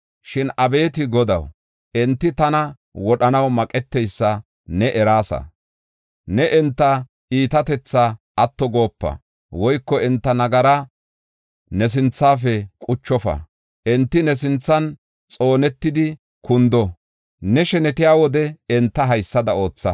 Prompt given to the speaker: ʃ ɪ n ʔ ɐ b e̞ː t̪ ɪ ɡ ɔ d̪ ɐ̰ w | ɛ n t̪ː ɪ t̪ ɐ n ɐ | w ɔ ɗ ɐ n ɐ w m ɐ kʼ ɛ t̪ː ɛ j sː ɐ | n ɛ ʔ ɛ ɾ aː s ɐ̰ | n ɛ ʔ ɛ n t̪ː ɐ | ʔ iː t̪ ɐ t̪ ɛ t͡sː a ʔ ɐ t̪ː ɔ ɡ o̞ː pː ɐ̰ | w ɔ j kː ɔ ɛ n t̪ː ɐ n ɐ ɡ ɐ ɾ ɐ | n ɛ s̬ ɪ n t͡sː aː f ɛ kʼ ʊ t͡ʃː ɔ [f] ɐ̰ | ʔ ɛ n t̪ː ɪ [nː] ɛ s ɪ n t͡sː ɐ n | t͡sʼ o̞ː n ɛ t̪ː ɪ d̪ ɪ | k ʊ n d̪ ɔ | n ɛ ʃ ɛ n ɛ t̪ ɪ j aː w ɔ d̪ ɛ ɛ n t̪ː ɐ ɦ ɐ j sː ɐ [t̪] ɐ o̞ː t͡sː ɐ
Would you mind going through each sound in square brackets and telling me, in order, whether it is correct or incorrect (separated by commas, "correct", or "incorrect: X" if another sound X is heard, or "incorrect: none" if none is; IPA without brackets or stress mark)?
correct, incorrect: n, incorrect: d̪